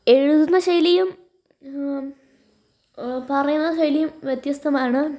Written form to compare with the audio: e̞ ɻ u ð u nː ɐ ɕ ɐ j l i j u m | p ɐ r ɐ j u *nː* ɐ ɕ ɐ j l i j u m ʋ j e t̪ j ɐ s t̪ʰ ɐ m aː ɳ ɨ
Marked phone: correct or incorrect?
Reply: correct